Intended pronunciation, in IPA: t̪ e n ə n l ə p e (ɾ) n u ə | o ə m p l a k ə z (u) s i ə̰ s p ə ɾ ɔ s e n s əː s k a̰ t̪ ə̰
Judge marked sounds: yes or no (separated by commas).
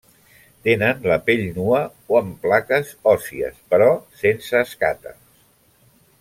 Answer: no, no